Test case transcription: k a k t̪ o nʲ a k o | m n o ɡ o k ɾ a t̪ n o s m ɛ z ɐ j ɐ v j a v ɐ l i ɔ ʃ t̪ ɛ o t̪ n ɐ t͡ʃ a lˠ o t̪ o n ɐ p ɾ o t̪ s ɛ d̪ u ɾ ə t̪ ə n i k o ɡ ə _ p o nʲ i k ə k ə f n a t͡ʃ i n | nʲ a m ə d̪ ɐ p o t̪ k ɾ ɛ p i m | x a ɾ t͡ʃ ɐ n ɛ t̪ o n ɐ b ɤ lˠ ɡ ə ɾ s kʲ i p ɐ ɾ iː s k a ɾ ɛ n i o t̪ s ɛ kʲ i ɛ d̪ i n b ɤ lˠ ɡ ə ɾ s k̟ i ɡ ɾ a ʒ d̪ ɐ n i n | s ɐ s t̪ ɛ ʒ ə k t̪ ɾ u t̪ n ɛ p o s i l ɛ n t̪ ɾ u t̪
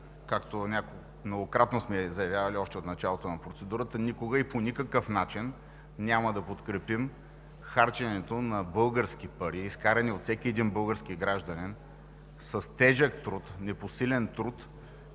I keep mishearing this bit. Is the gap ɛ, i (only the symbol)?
i